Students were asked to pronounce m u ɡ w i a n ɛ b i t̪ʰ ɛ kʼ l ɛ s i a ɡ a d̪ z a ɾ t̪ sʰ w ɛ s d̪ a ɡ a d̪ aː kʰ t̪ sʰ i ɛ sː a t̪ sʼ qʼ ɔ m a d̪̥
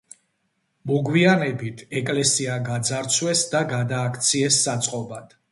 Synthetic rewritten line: m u ɡ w i a n ɛ b i t̪ʰ ɛ kʼ l ɛ s i a ɡ a d̪ z a ɾ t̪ sʰ w ɛ s d̪ a ɡ a d̪ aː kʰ t̪ sʰ i ɛ sː a t̪ sʼ qʼ ɔ b a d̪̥